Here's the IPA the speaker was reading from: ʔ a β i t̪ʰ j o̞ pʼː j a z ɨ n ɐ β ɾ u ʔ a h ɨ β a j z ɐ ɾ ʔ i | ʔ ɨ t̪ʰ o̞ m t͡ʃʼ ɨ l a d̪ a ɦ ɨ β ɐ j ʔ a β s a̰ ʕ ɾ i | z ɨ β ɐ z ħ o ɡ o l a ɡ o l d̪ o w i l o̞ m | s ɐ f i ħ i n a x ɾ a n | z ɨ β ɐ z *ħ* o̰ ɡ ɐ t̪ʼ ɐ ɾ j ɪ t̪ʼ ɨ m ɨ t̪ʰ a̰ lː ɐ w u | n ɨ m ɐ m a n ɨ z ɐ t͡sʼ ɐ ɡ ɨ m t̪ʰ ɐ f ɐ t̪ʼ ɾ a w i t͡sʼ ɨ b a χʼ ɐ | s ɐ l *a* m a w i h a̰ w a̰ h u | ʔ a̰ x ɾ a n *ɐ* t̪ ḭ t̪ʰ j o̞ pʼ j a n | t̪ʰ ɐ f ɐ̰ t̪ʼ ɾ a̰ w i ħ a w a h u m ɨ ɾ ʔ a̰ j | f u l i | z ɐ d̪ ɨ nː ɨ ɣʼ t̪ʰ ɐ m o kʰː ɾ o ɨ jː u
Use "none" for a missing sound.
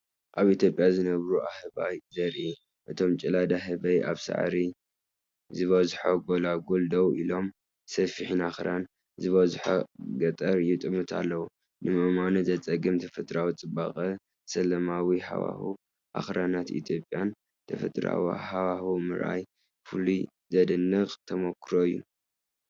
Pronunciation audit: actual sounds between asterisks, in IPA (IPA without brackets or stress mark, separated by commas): ħ, ɐ, a